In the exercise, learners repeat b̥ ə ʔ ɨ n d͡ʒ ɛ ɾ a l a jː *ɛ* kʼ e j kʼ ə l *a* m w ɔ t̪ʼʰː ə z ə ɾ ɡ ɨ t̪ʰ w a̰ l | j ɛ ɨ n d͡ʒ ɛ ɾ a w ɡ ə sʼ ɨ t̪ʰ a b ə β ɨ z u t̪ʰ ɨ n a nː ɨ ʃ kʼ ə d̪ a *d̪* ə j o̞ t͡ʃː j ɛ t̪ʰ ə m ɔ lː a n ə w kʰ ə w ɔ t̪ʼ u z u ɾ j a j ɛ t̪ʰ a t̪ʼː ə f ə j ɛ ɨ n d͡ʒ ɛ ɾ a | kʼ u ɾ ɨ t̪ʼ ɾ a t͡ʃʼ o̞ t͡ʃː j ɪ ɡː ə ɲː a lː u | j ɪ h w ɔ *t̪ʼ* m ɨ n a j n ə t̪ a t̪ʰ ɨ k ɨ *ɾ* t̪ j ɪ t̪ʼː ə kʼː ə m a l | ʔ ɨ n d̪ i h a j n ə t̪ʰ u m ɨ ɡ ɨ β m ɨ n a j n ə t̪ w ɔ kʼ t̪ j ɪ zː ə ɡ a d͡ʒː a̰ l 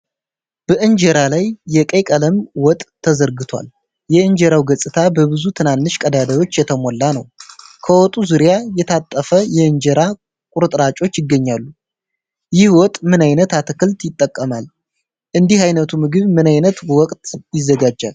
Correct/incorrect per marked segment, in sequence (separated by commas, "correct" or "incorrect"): correct, incorrect, correct, correct, incorrect